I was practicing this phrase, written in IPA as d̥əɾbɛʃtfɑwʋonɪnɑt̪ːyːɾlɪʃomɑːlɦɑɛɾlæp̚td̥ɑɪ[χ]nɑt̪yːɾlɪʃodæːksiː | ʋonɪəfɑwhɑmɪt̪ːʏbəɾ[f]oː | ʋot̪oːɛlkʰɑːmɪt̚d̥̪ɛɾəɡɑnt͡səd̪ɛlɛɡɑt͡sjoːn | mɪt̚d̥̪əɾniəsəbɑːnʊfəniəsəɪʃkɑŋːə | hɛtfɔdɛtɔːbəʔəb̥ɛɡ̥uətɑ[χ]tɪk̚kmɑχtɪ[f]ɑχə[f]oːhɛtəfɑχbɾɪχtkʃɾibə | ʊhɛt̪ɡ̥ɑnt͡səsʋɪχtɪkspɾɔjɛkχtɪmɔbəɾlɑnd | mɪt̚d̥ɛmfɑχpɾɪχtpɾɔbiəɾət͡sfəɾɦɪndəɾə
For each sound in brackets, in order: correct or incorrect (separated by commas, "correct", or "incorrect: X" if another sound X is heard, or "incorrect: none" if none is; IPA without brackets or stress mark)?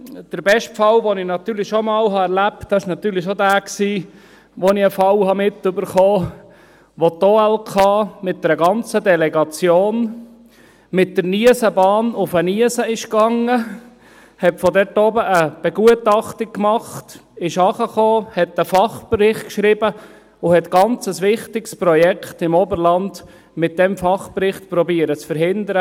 incorrect: ʃ, incorrect: χ, correct, incorrect: ʃ, incorrect: χ